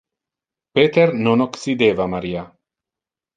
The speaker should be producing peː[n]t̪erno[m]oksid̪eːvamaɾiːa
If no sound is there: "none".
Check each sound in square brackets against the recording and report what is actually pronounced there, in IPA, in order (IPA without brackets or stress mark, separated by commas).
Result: none, n